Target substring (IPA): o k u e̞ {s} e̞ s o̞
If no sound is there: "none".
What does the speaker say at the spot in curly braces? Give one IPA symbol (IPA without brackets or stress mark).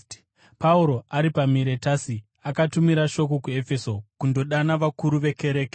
f